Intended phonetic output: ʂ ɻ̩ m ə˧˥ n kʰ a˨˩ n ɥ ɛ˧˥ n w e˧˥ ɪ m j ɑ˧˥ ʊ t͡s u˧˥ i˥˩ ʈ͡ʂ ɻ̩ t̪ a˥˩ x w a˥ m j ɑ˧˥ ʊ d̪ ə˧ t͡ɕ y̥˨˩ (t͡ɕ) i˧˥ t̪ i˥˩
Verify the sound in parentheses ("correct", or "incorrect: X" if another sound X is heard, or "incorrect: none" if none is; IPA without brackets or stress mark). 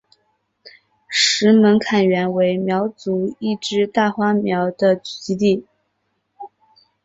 correct